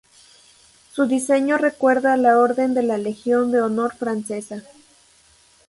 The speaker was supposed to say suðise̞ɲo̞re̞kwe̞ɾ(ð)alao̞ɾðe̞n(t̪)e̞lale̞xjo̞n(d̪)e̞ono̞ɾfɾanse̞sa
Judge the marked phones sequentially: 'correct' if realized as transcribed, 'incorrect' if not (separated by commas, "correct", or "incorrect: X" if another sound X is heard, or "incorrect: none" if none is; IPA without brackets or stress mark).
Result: correct, incorrect: d̪, correct